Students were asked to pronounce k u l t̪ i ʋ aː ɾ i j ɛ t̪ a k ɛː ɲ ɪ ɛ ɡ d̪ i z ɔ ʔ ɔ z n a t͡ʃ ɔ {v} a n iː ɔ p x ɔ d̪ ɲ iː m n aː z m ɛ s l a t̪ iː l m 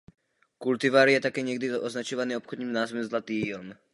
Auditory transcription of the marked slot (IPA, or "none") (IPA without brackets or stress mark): ʋ